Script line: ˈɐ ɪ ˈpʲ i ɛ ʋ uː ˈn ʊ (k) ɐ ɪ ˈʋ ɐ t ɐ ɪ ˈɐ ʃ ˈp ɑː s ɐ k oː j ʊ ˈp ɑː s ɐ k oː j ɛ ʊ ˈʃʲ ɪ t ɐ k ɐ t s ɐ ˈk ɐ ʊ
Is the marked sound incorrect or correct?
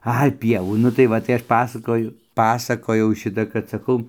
incorrect